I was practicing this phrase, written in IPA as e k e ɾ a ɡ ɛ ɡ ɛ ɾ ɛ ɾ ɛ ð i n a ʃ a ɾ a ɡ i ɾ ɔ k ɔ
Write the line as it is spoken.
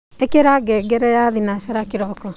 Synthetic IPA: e k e ɾ a ɡ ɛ ɡ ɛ ɾ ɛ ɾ a ð i n a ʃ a ɾ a k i ɾ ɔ k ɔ